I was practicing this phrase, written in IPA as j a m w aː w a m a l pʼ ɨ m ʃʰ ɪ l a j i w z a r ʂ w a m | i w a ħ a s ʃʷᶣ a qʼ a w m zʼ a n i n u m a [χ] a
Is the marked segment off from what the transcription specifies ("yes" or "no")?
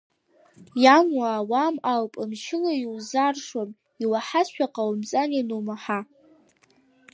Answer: yes